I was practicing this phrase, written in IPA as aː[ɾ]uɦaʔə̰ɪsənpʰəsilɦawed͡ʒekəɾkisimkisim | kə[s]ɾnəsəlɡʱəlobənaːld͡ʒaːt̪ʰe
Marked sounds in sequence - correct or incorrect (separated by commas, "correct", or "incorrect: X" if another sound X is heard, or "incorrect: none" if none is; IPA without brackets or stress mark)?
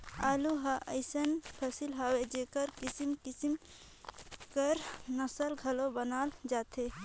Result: incorrect: l, incorrect: none